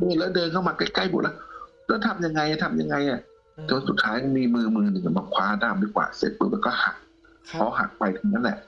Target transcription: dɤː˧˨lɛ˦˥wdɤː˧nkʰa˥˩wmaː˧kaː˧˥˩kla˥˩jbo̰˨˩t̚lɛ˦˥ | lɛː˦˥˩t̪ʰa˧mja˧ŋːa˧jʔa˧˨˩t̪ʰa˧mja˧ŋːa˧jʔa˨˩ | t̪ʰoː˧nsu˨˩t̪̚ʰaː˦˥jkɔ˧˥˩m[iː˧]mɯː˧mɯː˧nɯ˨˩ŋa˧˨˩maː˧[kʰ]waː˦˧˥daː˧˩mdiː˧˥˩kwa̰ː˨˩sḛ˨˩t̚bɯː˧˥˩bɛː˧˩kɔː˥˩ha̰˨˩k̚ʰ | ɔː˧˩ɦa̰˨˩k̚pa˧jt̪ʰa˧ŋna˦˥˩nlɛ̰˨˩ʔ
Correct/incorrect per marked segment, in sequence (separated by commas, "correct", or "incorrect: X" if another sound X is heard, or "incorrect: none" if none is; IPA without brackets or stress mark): correct, correct